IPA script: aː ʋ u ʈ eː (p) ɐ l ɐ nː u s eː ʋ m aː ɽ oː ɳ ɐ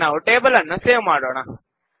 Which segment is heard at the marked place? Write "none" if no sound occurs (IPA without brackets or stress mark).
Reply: b